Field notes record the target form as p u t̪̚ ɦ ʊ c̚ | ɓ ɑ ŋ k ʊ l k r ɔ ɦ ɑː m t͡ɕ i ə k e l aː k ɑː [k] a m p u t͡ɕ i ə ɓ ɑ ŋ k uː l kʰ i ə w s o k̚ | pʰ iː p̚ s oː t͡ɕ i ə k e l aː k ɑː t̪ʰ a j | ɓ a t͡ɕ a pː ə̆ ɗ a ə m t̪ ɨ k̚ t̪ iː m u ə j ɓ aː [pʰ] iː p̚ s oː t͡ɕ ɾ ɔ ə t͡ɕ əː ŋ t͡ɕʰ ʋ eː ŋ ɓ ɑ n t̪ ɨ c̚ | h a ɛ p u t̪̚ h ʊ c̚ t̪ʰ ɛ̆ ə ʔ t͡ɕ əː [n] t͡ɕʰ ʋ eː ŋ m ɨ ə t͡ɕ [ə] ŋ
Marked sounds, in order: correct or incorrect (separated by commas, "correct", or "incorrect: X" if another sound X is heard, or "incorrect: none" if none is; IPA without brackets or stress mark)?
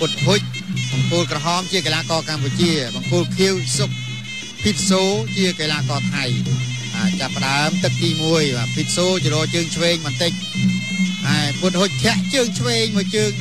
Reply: correct, correct, incorrect: ŋ, incorrect: əː